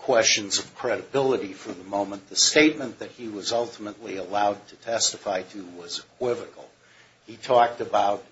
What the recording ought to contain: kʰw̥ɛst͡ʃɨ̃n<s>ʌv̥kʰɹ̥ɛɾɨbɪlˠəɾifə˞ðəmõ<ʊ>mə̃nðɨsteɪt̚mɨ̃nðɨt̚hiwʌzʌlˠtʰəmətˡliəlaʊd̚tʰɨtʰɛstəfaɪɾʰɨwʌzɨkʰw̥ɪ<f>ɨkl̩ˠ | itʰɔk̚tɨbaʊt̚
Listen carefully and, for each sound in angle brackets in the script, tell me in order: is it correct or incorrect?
incorrect: z, incorrect: ʊ̃, incorrect: v

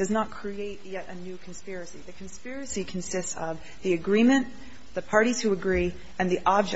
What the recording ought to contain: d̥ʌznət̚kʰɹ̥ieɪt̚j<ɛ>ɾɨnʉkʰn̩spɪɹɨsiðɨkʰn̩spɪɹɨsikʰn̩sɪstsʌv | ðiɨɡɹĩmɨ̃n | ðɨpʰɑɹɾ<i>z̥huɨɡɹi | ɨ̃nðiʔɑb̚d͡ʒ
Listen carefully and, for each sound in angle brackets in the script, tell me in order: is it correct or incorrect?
correct, correct

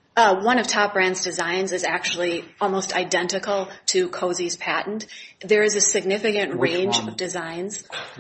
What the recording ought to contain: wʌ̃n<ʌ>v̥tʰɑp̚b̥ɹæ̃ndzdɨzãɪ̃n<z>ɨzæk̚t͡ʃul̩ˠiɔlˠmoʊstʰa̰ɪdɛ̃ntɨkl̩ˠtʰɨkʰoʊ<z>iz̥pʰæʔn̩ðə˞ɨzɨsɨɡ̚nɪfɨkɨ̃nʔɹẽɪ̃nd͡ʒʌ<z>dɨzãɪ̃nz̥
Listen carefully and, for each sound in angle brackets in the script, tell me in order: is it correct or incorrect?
correct, correct, correct, incorrect: v

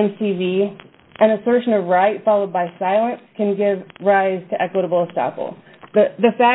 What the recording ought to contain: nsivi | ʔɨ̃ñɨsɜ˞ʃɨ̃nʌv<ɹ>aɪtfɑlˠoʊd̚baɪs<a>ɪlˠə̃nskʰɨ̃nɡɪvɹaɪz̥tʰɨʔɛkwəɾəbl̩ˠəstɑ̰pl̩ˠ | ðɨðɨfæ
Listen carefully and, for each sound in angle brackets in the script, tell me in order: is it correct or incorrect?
correct, correct

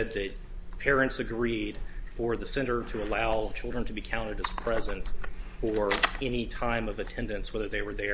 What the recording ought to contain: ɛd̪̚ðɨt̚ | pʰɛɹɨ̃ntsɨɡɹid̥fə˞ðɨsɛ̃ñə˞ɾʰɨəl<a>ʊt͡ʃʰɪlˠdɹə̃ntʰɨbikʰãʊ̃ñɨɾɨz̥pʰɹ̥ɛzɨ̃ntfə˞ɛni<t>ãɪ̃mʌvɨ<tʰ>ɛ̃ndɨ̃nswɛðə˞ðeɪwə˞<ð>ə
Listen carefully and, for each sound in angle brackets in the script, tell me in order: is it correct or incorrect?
correct, incorrect: tʰ, correct, correct

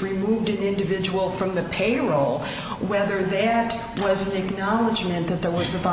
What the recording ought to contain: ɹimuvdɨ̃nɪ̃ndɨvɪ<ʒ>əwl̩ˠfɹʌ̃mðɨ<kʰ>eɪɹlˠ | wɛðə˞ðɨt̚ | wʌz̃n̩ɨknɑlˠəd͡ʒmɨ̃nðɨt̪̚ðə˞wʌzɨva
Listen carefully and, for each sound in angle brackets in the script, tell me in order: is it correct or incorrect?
incorrect: d͡ʒ, incorrect: pʰ

